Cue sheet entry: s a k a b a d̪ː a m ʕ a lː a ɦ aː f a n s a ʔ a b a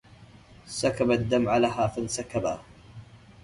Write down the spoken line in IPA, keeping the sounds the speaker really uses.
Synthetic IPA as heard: s a k a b a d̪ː a m ʕ a l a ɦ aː f a n s a k a b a